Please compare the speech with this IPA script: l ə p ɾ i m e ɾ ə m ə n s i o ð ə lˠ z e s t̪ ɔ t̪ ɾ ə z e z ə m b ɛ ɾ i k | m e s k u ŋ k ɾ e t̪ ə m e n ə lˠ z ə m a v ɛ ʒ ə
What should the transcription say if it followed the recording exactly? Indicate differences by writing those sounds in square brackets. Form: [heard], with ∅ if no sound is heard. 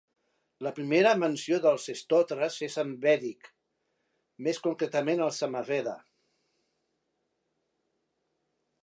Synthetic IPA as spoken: l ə p ɾ i m e ɾ ə m ə n s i o ð ə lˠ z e s t̪ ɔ t̪ ɾ ə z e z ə m b ɛ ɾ i k | m e s k u ŋ k ɾ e t̪ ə m e n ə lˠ [s] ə m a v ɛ [ð] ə